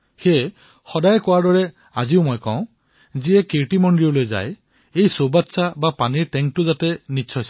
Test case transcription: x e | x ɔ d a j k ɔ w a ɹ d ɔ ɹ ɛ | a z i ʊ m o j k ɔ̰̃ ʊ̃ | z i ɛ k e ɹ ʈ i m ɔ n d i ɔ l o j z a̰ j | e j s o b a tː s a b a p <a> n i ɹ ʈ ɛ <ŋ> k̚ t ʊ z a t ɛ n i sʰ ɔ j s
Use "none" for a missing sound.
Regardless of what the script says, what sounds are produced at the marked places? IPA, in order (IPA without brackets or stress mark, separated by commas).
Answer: a, ŋ